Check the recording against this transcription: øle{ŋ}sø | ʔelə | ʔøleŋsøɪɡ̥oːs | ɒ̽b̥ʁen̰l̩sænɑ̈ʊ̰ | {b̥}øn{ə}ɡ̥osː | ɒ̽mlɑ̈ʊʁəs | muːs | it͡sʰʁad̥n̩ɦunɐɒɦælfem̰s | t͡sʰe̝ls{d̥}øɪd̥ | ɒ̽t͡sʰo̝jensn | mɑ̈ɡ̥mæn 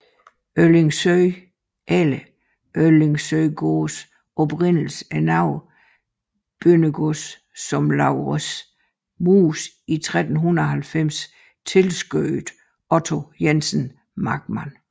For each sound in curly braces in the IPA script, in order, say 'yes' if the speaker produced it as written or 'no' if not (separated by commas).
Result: yes, yes, yes, no